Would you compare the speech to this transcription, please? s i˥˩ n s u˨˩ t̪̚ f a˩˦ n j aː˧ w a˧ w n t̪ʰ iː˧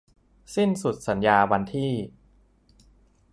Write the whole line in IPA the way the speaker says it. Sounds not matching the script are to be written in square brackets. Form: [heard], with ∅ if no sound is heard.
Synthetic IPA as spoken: s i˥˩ n s u˨˩ t̪̚ [s] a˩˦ n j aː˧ w a˧ [∅] n t̪ʰ [iː˥˩]